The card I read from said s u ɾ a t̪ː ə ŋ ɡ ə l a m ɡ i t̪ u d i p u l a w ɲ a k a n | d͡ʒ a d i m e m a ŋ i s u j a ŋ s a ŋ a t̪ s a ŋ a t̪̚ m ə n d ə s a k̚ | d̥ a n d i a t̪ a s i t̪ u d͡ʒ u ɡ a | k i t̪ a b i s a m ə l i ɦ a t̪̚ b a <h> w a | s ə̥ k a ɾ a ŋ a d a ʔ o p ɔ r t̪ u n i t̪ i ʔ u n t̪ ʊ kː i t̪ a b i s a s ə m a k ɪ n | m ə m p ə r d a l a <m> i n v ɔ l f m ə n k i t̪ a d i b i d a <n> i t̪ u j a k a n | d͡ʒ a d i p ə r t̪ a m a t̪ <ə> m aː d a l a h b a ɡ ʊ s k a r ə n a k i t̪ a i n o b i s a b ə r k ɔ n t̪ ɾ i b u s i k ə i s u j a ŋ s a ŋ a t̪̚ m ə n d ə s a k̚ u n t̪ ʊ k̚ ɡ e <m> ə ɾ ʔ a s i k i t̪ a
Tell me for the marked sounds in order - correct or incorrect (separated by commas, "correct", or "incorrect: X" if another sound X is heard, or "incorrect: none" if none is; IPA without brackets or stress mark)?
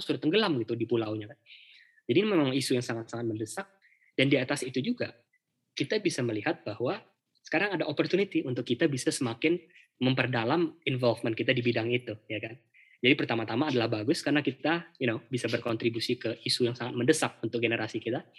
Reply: correct, correct, incorrect: ŋ, incorrect: a, incorrect: n